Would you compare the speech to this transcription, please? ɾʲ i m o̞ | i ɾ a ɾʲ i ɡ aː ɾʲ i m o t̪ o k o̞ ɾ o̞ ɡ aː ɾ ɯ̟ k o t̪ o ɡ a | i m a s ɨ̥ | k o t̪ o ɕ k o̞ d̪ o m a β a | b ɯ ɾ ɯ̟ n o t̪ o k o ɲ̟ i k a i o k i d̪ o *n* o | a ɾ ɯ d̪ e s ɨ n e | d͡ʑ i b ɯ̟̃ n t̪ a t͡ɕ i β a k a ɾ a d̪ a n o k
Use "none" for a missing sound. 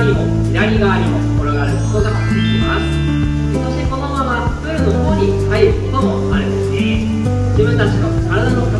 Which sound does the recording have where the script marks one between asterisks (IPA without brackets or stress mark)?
m